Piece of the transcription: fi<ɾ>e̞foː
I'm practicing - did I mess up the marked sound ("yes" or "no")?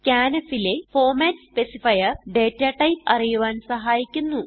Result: yes